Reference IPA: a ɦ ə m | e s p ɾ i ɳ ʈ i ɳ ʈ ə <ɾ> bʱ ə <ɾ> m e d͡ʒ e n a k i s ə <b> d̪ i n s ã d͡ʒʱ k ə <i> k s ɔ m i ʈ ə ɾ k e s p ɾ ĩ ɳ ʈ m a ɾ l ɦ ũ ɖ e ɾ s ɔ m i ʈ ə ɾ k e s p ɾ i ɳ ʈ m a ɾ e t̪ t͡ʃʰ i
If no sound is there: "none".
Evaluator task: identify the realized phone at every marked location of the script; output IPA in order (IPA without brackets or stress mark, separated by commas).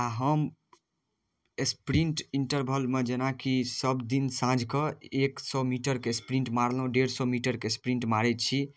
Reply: ɾ, l, b, e